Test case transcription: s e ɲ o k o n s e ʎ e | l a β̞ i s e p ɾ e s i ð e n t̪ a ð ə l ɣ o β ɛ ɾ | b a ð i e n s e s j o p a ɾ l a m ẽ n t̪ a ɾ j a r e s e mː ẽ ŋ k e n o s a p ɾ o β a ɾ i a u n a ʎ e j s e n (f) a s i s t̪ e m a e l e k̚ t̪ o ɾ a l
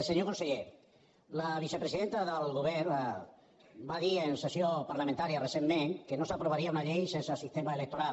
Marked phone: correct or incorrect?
incorrect